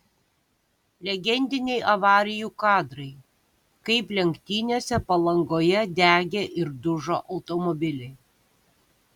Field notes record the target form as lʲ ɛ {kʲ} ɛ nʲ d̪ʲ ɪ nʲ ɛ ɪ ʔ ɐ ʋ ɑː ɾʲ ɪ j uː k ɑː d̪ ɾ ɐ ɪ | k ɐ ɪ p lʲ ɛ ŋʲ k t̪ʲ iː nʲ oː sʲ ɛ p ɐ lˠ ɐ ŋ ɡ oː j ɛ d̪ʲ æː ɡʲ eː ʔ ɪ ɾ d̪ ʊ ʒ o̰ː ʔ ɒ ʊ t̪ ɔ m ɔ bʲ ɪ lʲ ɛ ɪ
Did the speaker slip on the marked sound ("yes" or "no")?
yes